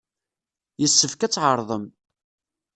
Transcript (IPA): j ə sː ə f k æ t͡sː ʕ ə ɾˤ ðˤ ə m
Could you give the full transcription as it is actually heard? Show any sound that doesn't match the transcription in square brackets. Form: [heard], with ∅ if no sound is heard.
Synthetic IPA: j ə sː ə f k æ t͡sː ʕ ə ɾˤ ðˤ ə m